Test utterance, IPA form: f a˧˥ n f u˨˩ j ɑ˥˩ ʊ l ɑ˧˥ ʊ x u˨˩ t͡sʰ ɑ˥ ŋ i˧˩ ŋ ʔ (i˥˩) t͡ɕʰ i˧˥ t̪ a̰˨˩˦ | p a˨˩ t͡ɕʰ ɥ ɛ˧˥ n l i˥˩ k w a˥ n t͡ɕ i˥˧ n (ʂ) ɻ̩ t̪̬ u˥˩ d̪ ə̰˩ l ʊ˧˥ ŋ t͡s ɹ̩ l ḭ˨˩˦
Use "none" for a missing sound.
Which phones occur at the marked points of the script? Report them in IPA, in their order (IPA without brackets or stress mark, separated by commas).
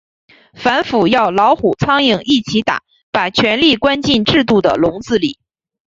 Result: i˥˩, ʈ͡ʂ